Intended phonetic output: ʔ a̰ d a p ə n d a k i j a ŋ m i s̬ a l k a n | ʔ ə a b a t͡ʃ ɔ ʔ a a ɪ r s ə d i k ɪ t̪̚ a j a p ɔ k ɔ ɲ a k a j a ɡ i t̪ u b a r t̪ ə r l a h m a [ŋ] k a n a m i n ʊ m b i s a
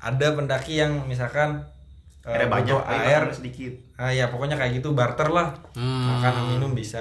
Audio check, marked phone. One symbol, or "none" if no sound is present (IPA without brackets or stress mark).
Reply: none